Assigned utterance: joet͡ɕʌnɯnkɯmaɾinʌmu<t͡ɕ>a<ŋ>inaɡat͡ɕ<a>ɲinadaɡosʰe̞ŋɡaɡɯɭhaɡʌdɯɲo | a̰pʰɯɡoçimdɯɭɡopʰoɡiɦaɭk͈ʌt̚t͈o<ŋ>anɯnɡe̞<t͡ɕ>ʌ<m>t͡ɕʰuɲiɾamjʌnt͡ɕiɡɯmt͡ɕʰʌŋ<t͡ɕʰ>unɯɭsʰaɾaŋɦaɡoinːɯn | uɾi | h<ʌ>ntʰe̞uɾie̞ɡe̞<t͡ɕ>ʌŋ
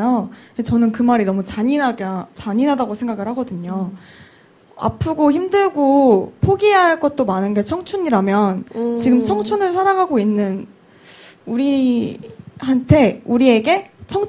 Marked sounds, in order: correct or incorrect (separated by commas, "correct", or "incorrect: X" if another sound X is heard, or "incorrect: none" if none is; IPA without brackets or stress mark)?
correct, incorrect: ɲ, correct, incorrect: m, incorrect: t͡ɕʰ, incorrect: ŋ, correct, incorrect: a, incorrect: t͡ɕʰ